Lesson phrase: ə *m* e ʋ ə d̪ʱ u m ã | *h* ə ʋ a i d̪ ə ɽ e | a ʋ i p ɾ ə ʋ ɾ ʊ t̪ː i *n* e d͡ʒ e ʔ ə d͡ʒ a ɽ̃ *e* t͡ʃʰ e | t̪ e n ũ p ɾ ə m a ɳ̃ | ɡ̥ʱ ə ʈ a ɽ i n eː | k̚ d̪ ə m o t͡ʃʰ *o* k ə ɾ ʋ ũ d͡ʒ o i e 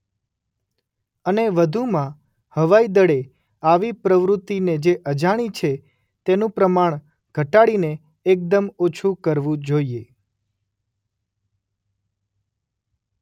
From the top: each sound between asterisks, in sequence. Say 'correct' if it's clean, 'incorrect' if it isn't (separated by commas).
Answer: incorrect, correct, correct, incorrect, incorrect